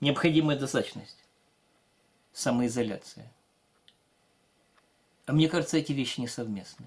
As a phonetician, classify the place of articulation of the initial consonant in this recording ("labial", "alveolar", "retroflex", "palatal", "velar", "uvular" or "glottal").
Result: alveolar